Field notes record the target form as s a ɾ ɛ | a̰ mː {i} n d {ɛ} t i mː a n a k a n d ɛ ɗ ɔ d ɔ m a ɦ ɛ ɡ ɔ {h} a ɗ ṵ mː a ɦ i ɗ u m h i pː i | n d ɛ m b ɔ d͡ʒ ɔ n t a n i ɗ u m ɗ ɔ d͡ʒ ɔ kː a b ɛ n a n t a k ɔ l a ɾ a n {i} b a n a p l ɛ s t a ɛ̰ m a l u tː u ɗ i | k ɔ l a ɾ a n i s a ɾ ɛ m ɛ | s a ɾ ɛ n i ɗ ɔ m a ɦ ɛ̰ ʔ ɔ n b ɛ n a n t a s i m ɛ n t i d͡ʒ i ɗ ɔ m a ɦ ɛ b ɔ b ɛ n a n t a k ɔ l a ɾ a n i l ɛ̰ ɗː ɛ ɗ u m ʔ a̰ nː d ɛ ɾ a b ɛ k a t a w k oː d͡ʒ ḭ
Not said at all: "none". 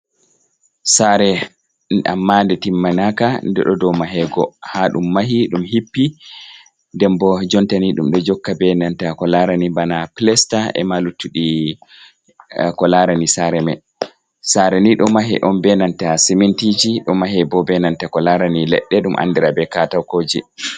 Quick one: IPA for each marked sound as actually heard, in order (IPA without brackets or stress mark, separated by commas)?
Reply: a, ɛ, h, i